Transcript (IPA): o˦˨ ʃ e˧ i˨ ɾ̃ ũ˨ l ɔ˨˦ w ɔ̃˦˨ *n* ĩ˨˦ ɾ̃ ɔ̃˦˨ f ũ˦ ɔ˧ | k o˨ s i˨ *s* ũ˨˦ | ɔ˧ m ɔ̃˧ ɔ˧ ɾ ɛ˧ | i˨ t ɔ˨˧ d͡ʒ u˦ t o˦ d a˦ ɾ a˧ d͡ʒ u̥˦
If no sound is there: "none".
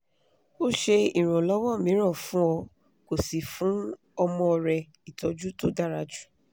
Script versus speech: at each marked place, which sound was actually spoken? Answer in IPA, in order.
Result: m, f

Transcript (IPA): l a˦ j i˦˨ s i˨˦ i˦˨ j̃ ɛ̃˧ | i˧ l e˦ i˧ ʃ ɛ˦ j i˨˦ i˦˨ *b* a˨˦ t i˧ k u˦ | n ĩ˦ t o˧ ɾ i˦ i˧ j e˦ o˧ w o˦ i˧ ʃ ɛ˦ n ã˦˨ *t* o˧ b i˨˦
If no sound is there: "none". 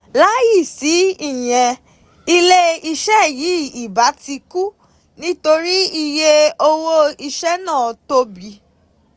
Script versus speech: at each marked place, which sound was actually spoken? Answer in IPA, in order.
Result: b, t

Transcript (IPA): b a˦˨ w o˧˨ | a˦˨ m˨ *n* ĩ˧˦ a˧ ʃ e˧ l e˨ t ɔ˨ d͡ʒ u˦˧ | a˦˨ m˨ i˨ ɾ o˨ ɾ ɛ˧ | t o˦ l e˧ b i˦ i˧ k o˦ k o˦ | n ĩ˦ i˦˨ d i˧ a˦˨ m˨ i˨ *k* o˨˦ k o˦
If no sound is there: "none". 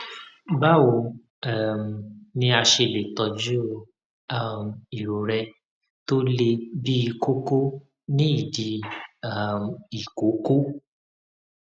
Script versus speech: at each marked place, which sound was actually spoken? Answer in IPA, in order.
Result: n, k

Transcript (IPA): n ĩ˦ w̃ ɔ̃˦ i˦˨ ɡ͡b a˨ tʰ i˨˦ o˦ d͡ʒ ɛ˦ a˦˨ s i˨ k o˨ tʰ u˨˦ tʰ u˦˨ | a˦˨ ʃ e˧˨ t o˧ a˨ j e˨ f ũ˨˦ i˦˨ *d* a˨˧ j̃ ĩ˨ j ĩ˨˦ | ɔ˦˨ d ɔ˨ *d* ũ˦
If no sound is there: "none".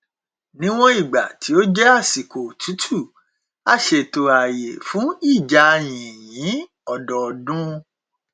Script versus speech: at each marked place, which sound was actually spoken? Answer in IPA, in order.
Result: d͡ʒ, d

